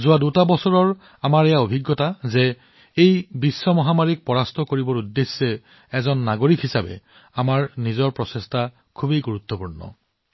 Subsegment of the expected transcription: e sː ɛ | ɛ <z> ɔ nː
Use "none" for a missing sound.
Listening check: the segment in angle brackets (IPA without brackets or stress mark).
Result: z